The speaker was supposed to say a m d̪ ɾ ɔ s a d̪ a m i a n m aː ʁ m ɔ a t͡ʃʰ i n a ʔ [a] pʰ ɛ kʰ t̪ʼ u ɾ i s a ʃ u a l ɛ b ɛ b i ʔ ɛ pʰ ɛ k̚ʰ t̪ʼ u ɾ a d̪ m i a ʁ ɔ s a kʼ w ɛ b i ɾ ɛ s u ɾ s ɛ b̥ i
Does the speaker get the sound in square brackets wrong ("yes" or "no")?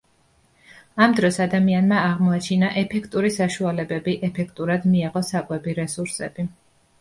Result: yes